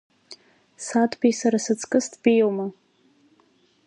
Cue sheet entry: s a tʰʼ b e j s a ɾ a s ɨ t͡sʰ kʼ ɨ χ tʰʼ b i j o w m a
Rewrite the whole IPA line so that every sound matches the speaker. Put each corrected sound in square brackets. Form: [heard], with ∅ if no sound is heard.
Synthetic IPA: s a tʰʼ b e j s a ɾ a s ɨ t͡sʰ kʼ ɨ [s] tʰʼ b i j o w m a